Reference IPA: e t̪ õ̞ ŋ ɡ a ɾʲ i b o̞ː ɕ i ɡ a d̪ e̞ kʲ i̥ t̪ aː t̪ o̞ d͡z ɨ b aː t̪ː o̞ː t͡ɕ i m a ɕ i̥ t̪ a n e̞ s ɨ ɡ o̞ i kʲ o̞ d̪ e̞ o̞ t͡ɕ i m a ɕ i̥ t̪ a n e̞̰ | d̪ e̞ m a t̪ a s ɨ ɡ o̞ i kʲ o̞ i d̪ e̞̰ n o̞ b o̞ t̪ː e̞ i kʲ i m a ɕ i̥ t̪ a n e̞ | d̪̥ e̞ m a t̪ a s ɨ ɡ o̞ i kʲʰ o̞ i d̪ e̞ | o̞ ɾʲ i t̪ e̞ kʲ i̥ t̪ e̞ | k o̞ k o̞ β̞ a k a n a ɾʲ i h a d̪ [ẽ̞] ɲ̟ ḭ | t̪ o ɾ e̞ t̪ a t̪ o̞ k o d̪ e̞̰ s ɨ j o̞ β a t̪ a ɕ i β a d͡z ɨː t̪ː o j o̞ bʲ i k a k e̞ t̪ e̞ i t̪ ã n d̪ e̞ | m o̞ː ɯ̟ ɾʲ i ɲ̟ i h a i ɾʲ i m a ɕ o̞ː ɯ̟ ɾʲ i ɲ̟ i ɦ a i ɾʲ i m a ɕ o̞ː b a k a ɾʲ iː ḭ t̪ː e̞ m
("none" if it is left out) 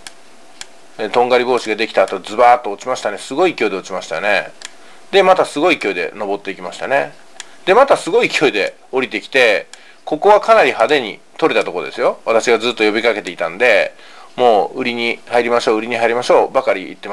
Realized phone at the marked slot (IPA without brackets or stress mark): e̞